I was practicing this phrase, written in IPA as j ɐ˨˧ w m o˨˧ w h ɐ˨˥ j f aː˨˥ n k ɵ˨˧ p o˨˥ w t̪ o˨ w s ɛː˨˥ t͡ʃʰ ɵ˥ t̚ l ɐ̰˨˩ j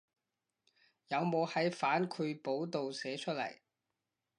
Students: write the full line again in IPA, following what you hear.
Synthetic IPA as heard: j ɐ˨˧ w m o˨˧ w h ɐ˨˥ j f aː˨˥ n kʰ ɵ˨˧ p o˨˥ w t̪ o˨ w s ɛː˨˥ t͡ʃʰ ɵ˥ t̚ l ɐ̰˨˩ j